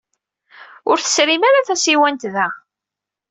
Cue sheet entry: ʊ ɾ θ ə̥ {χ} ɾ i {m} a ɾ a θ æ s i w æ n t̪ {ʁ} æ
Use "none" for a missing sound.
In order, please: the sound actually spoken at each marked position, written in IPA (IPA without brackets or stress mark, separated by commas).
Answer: s, m, ð